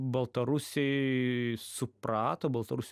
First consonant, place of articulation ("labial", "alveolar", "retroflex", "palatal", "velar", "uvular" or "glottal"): labial